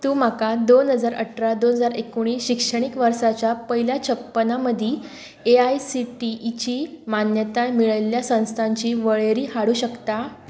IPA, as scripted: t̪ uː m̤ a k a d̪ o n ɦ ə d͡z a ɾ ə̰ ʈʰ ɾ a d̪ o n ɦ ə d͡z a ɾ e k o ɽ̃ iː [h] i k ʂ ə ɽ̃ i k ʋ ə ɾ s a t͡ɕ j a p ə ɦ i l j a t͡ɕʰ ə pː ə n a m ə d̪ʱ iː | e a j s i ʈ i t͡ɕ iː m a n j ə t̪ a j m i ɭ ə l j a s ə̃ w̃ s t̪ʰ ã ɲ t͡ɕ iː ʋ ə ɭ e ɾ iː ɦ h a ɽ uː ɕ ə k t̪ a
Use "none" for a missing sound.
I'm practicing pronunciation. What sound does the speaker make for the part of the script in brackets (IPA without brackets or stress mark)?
ɕ